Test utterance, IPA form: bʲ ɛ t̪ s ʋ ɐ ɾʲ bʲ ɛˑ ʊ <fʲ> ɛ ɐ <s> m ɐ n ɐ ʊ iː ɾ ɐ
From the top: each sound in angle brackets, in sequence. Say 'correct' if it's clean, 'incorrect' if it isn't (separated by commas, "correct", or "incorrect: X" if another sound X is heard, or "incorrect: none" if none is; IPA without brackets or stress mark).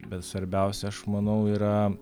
incorrect: sʲ, incorrect: ʃ